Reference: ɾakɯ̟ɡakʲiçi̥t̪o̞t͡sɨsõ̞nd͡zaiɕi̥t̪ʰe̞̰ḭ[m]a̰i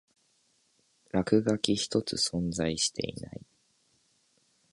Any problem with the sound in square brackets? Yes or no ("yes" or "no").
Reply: yes